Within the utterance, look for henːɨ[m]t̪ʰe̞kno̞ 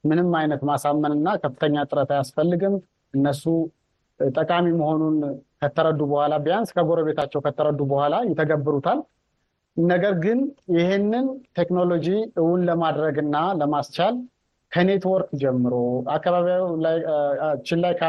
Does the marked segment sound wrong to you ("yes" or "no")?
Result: yes